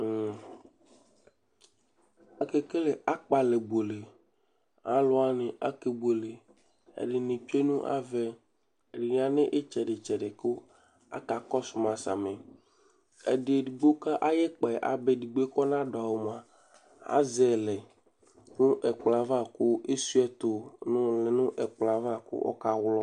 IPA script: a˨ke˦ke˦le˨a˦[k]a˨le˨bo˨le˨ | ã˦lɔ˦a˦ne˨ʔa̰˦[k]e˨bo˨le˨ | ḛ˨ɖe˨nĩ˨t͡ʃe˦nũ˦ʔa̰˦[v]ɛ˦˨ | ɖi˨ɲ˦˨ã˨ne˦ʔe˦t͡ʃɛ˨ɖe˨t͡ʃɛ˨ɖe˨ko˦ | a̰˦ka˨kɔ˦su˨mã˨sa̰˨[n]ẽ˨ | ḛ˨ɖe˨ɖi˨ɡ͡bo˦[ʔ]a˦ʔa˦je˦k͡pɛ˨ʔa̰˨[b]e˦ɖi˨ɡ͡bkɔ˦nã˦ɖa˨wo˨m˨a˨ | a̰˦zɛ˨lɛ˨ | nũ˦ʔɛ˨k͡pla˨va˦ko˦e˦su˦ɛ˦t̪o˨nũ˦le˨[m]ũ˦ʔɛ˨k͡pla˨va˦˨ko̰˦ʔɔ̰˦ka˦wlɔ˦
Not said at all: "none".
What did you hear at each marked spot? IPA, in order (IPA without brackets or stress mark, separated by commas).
k͡p, k, v, m, k, b, n